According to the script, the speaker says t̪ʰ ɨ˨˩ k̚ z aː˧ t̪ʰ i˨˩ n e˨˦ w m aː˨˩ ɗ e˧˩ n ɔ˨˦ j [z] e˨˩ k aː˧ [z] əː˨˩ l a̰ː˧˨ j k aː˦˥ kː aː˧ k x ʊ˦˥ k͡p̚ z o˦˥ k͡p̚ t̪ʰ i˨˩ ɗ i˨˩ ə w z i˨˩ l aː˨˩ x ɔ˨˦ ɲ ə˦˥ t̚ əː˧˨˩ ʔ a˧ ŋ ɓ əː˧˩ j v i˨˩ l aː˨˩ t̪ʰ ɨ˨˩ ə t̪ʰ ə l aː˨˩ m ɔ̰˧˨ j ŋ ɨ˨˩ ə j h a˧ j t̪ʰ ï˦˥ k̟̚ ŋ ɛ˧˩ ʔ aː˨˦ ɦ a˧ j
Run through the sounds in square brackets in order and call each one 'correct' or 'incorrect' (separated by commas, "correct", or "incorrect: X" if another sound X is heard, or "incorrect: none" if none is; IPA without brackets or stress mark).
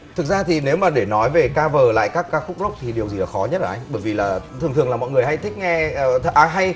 incorrect: v, incorrect: v